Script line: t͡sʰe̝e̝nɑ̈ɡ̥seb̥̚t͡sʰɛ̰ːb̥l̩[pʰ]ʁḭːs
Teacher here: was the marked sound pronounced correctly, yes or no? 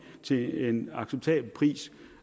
yes